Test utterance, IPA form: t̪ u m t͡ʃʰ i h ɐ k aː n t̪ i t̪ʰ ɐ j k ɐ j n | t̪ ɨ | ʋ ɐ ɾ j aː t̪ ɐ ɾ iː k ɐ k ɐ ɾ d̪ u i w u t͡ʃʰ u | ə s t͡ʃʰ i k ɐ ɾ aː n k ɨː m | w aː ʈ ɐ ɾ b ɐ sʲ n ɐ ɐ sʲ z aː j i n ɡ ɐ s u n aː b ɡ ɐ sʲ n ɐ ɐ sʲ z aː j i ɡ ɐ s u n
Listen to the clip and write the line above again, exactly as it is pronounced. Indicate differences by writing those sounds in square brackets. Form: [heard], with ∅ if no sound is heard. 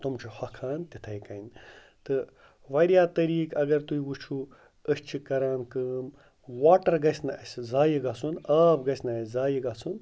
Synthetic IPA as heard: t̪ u m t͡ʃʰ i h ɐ [kʰ] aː n t̪ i t̪ʰ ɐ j k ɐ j n | t̪ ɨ | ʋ ɐ ɾ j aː t̪ ɐ ɾ iː k ɐ [ɡ] ɐ ɾ [t̪] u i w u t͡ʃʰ u | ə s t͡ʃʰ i k ɐ ɾ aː n k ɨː m | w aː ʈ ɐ ɾ [ɡ] ɐ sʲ n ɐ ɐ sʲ z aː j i [∅] ɡ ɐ s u n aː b ɡ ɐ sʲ n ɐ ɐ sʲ z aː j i ɡ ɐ s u n